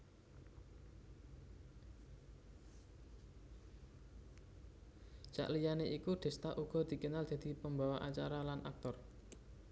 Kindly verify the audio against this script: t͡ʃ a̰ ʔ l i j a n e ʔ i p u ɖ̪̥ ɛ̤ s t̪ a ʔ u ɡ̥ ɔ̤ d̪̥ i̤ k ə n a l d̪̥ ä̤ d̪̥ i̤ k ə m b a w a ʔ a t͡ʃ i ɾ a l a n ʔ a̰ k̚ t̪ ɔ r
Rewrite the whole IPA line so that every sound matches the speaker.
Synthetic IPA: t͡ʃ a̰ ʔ l i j a n e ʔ i k u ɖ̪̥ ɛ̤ s t̪ a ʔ u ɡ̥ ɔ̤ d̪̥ i̤ k ə n a l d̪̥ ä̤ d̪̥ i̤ p ə m b a w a ʔ a t͡ʃ a ɾ a l a n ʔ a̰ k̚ t̪ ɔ r